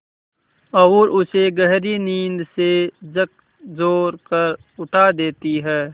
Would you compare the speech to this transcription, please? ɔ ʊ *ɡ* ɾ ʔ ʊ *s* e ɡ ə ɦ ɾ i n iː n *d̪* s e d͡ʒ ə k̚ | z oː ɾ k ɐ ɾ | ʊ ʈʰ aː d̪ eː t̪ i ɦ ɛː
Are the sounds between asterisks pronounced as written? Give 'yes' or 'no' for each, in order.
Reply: no, yes, yes

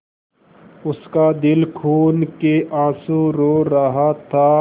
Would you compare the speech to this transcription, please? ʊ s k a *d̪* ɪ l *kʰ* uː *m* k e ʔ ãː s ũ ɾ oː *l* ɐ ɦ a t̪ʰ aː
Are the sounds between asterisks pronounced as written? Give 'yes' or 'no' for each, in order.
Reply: yes, yes, no, no

